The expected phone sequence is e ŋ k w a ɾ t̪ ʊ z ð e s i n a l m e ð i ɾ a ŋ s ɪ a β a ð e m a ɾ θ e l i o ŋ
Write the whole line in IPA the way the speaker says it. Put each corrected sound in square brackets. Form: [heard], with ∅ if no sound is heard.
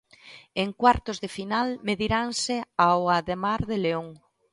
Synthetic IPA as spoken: e ŋ k w a ɾ t̪ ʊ z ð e [f] i n a l m e ð i ɾ a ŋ s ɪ a [w] a ð e m a ɾ [ð] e l [e] o ŋ